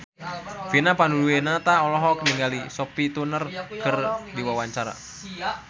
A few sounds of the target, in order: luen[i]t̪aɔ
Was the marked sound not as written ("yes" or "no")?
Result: yes